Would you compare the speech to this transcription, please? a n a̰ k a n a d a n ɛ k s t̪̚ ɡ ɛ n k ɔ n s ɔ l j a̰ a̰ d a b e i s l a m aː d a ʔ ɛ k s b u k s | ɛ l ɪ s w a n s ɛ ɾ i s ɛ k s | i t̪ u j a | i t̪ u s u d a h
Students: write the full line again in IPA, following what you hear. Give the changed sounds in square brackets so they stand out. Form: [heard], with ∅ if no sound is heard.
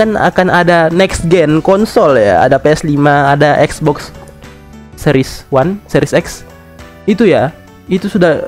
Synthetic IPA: a n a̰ k a n a d a n ɛ k s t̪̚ ɡ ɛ n k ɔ n s ɔ l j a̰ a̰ d a [p] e [ɛ] s l [i] m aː d a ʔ ɛ k s b [ɔ] k s | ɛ [ɾ] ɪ s w a n s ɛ ɾ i s ɛ k s | i t̪ u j a | i t̪ u s u d a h